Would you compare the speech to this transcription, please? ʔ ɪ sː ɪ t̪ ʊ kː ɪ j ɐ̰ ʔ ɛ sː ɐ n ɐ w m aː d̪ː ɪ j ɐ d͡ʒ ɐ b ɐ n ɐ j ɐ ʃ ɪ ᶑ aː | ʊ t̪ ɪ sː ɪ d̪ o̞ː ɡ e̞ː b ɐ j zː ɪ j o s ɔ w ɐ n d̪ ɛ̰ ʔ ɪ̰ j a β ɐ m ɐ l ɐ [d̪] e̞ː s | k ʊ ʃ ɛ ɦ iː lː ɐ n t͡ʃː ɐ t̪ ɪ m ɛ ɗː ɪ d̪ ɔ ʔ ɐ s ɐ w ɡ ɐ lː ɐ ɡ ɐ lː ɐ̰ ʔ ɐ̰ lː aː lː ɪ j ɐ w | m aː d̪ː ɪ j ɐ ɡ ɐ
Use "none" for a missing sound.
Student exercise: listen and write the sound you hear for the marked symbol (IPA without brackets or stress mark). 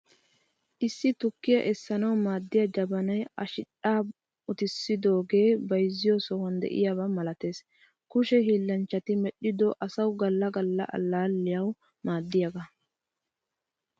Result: t̪